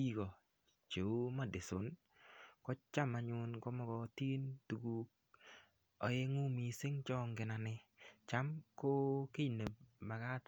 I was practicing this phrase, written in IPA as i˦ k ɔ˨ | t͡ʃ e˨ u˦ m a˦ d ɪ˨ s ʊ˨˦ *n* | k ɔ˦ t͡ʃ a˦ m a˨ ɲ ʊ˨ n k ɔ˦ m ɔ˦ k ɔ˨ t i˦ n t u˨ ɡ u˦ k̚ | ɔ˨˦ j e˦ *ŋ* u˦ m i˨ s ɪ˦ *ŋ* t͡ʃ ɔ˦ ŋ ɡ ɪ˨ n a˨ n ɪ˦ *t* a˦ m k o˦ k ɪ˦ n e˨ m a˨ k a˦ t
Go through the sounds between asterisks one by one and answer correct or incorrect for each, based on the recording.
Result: correct, correct, correct, incorrect: t͡ʃ

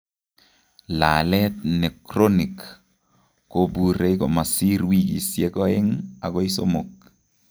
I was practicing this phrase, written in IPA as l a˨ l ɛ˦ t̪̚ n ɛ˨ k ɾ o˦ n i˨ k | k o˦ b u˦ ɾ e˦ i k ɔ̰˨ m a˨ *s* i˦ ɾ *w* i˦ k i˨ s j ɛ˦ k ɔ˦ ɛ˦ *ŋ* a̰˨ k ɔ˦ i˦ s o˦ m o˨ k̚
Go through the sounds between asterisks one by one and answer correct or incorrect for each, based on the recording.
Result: correct, correct, correct

